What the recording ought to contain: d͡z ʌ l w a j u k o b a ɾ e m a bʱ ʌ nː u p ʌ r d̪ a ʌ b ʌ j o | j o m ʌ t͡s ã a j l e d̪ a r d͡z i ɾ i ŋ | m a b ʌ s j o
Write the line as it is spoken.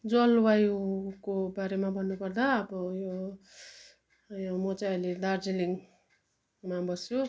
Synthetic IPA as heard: d͡z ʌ l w a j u k o b a ɾ e m a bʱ ʌ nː u p ʌ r d̪ a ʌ b ʌ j o | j o m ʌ t͡s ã ʌ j l e d̪ a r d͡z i l i ŋ | m a b ʌ s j o